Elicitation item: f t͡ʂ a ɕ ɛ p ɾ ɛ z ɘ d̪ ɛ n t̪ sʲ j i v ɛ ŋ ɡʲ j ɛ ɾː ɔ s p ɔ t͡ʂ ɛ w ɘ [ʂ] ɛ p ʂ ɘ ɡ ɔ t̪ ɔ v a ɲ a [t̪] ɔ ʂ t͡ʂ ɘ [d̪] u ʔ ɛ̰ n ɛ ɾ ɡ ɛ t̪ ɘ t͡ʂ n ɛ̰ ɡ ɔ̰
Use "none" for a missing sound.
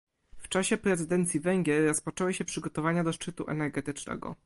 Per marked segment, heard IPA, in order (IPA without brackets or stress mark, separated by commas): ɕ, d̪, t̪